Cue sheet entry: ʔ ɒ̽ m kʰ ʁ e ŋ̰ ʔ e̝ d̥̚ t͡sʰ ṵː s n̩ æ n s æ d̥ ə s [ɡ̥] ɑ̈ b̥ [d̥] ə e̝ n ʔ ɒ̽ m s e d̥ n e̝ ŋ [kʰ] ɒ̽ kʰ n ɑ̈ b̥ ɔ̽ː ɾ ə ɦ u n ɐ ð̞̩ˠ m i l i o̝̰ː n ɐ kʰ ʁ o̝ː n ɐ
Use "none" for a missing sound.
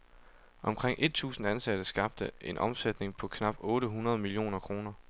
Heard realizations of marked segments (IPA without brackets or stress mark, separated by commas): ɡ̥, d̥, pʰ